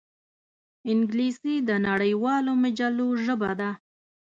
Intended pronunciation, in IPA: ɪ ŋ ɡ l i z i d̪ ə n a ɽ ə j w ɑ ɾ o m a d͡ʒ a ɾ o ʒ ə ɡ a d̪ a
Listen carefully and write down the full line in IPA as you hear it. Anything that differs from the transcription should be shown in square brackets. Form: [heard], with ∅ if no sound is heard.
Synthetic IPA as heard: ɪ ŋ ɡ l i [s] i d̪ ə n a ɽ ə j w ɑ [l] o m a d͡ʒ a [l] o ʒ ə [b] a d̪ a